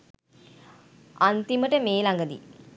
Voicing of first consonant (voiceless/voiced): voiced